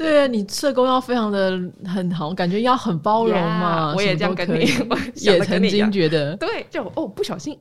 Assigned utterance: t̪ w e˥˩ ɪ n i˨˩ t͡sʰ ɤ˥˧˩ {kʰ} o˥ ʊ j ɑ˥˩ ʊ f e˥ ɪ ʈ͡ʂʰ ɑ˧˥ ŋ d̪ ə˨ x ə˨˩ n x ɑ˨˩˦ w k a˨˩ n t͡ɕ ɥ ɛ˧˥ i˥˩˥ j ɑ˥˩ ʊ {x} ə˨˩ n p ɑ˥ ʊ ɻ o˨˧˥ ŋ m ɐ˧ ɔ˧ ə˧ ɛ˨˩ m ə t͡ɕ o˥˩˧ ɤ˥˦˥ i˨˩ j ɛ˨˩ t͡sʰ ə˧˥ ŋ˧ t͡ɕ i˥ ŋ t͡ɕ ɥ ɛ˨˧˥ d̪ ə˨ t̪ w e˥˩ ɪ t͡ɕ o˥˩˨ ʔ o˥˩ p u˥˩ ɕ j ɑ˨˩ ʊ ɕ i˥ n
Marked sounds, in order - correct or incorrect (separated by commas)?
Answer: incorrect, correct